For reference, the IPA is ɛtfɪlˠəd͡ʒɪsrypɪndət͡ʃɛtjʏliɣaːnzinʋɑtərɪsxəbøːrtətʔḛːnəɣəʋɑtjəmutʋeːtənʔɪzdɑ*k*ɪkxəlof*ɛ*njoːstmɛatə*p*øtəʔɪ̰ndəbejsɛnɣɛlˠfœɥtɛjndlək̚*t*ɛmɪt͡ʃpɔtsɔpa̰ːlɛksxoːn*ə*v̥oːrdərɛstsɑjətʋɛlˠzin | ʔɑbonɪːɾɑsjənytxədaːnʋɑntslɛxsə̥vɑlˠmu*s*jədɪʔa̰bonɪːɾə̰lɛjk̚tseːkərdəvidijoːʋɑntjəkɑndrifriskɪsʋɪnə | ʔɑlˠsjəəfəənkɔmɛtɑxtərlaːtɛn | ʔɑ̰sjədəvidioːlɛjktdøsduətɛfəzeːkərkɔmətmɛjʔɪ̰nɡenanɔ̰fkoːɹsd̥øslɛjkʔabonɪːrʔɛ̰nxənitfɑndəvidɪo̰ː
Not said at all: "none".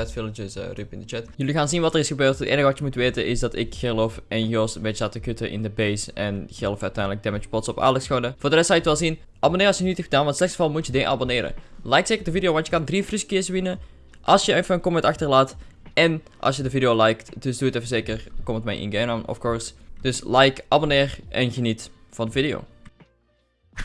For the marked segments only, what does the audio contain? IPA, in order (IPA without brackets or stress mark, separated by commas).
t, ɛ, k, d, ə, t